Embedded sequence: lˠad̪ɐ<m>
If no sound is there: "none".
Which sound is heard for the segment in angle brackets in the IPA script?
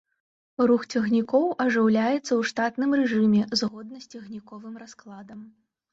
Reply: m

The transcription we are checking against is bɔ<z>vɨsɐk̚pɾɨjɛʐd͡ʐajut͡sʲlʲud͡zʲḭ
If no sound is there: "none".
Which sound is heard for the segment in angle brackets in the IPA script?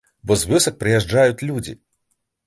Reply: z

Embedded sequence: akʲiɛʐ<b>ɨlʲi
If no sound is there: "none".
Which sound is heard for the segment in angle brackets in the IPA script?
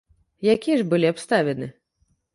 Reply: b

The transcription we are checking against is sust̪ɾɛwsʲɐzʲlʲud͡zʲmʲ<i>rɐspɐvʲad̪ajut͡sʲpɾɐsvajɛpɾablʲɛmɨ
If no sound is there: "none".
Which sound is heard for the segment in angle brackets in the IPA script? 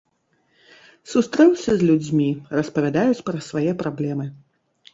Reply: i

